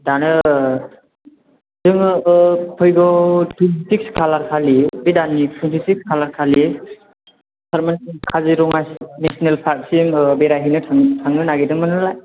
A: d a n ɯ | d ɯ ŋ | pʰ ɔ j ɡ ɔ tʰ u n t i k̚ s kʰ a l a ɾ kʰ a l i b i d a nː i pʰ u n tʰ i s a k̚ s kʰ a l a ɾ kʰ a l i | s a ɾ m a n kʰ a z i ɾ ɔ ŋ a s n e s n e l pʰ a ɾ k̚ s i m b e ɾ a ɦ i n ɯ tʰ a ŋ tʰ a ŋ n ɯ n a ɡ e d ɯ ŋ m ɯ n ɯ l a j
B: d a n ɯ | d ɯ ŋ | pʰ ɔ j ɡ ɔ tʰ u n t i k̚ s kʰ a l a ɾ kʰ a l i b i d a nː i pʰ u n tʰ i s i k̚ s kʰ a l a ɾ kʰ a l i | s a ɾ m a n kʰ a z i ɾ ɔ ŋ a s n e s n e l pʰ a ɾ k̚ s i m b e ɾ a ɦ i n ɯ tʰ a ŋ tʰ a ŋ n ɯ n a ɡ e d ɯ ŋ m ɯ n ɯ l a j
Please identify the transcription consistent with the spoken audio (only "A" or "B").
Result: B